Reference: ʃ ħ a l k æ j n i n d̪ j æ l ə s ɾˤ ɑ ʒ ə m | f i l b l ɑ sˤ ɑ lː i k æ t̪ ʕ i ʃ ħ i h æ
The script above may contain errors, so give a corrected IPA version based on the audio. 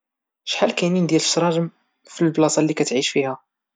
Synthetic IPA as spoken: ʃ ħ a l k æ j n i n d̪ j æ l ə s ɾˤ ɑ ʒ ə m | f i l b l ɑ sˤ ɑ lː i k æ t̪ ʕ i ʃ f i h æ